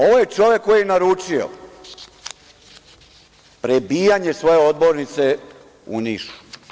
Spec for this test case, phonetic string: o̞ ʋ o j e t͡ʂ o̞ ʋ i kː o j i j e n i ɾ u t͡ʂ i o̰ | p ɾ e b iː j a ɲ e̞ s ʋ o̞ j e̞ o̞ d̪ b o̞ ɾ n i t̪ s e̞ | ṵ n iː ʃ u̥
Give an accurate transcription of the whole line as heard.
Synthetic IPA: o̞ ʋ o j e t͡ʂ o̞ ʋ e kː o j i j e n a ɾ u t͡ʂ i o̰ | p ɾ e b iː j a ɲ e̞ s ʋ o̞ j e̞ o̞ d̪ b o̞ ɾ n i t̪ s e̞ | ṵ n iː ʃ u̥